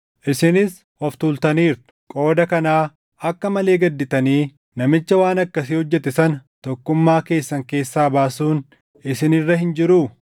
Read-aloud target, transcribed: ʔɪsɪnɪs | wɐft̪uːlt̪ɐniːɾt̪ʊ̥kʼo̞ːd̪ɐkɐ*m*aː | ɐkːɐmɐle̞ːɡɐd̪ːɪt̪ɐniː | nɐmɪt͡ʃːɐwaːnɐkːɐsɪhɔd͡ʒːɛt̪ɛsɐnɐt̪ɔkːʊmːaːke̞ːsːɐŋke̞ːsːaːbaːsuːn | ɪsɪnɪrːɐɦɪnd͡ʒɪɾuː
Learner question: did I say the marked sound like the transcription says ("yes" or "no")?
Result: no